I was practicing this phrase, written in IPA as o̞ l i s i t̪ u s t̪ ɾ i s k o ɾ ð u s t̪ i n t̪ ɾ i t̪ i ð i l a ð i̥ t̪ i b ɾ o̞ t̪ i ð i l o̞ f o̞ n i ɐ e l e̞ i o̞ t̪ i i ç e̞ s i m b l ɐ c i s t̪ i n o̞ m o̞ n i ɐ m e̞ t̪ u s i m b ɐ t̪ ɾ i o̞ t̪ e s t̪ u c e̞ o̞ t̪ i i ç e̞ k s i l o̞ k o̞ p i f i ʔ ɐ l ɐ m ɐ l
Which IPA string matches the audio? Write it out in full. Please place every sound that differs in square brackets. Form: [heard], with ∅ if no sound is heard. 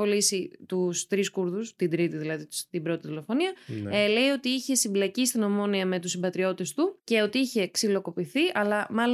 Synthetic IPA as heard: o̞ l i s i t̪ u s t̪ ɾ i s k [u] ɾ ð u s t̪ i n [d̪] ɾ i t̪ i ð i l [ɐ] ð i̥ t̪ i b ɾ o̞ t̪ i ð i l o̞ f o̞ n i ɐ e l e̞ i o̞ t̪ i i ç e̞ s i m b l ɐ c i s t̪ i n o̞ m o̞ n i ɐ m e̞ t̪ u s i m b ɐ t̪ ɾ i o̞ t̪ e s t̪ u c e̞ o̞ t̪ i i ç e̞ k s i l o̞ k o̞ p i [θ] i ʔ ɐ l ɐ m ɐ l